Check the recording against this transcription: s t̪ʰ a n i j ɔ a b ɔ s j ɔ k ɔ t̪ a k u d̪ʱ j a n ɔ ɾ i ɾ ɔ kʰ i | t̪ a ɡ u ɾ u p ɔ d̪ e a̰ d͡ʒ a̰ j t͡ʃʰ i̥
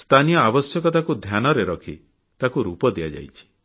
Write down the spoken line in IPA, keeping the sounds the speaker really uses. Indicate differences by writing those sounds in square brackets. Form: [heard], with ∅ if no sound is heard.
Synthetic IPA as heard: s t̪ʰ a n i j ɔ a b ɔ s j ɔ k ɔ t̪ a k u d̪ʱ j a n ɔ ɾ [e] ɾ ɔ kʰ i | t̪ a [k] u ɾ u p ɔ d̪ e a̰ d͡ʒ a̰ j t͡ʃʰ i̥